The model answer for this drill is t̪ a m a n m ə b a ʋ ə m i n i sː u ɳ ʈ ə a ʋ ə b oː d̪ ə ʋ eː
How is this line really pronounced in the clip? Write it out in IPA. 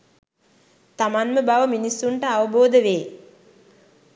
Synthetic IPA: t̪ a m a n m ə b a ʋ ə m i n i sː u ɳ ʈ ə a ʋ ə b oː d̪ ə ʋ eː